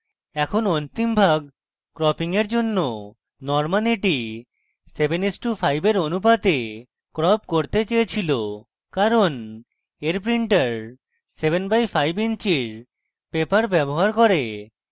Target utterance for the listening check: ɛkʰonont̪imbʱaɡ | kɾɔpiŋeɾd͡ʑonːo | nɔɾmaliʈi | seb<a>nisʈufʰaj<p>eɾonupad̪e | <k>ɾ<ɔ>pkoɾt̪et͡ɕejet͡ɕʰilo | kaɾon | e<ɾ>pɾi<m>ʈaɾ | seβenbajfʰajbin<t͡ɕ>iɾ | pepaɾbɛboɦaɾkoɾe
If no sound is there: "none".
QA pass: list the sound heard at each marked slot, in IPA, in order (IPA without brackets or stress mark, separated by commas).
e, b, k, ɔ, ɾ, ɳ, t͡ɕ